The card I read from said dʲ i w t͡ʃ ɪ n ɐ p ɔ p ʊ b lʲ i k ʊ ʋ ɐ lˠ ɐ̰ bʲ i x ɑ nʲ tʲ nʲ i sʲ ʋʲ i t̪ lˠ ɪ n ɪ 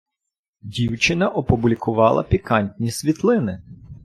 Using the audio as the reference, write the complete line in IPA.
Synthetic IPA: dʲ i w t͡ʃ ɪ n ɐ ʔ ɔ p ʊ b lʲ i k ʊ ʋ ɑ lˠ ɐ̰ pʲ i k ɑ nʲ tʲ nʲ i sʲ ʋʲ i t̪ lˠ ɪ n ɪ